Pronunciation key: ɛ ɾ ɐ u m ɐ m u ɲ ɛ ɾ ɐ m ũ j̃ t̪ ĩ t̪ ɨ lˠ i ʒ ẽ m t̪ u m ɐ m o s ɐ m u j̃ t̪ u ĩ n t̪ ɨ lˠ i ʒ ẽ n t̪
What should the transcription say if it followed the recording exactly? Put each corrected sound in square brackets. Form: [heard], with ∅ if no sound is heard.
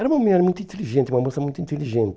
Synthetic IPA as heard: ɛ ɾ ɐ u m ɐ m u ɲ ɛ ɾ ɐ m ũ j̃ t̪ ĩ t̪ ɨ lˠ i ʒ ẽ [n] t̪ u m ɐ m o s ɐ m [ũ] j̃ t̪ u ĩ n t̪ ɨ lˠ i ʒ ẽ n t̪